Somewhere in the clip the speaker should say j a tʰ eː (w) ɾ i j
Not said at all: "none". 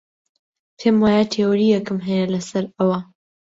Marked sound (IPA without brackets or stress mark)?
w